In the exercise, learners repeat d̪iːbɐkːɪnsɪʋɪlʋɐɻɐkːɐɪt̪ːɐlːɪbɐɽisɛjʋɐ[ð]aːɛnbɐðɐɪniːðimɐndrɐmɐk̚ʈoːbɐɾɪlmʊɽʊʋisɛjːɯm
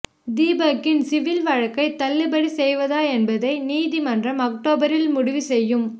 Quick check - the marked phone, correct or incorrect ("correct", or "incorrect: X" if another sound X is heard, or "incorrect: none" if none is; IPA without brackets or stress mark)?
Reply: correct